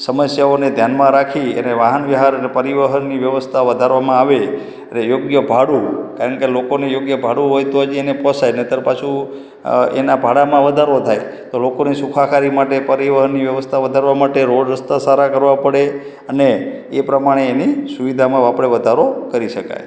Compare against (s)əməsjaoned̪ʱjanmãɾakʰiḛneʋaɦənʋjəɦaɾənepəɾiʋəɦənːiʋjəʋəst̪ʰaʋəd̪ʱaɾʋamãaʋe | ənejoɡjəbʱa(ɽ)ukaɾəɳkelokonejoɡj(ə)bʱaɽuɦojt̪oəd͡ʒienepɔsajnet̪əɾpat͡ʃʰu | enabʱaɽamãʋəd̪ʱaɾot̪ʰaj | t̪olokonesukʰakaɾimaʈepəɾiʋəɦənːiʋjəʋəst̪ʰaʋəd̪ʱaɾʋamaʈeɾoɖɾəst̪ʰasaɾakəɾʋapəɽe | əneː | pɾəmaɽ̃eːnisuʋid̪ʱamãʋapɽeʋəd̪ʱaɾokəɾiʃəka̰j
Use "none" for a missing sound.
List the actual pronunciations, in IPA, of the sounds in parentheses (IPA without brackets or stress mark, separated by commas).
s, ɽ, ə